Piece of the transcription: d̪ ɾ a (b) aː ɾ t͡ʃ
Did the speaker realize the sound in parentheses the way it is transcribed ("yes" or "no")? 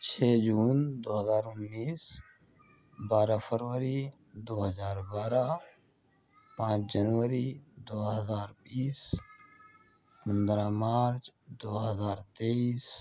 no